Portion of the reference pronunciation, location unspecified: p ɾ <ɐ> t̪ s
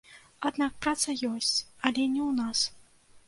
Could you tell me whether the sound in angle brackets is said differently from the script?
yes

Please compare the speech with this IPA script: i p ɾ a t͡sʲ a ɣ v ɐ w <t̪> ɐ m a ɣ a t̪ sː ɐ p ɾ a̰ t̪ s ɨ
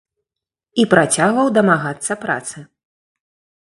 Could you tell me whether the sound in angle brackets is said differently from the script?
yes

